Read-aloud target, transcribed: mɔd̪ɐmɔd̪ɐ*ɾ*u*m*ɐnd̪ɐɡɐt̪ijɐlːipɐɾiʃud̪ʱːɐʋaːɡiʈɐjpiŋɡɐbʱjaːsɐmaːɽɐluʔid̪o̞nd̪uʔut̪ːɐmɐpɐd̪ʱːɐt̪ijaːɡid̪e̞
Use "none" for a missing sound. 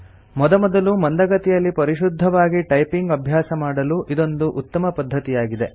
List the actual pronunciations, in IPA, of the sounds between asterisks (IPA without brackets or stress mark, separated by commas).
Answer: l, m